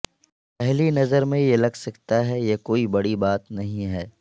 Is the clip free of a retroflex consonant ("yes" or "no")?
no